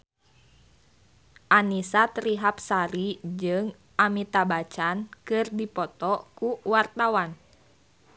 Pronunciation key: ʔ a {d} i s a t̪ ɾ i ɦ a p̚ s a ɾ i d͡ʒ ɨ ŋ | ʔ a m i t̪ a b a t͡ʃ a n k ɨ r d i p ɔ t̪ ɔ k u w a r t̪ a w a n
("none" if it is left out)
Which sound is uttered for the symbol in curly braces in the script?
n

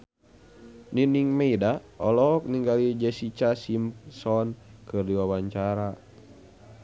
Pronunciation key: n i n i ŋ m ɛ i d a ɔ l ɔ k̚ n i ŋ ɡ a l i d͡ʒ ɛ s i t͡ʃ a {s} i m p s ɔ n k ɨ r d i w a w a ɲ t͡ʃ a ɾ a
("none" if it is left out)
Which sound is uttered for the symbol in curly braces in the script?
s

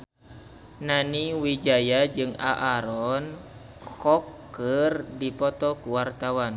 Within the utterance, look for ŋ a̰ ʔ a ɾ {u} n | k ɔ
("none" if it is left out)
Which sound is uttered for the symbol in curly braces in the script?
ɔ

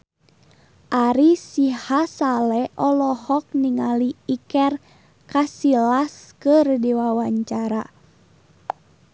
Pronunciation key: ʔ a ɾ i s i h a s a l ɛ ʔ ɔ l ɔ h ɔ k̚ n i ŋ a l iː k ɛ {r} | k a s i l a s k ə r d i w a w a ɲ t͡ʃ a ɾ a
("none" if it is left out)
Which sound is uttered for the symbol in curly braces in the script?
r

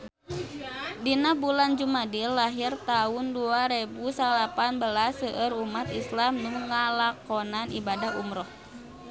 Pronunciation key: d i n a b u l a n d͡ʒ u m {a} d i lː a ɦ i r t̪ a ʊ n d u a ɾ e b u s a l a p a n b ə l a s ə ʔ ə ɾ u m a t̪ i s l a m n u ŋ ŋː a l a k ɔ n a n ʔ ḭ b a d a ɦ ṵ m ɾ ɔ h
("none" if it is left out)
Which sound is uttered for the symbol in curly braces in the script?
a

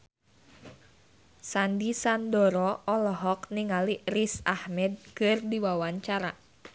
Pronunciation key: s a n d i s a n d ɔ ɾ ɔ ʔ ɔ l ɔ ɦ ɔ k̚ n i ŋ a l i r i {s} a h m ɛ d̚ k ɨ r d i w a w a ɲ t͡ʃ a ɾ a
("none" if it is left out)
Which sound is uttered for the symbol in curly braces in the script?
s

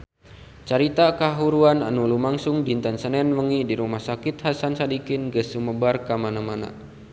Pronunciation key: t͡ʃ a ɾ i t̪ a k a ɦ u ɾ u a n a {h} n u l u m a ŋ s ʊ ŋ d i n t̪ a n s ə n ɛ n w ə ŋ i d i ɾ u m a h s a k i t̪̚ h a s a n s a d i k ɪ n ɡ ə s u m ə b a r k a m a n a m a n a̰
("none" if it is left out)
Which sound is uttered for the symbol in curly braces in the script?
none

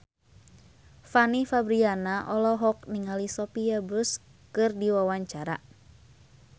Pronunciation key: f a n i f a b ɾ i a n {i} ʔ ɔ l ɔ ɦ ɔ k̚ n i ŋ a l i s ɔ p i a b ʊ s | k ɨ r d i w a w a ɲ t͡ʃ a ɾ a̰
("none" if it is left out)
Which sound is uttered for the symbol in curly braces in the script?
a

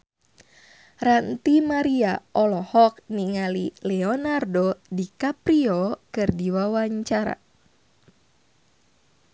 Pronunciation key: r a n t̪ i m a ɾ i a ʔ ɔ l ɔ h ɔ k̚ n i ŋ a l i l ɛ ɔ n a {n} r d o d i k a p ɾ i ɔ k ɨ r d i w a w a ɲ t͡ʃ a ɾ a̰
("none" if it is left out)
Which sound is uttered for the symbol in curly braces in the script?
none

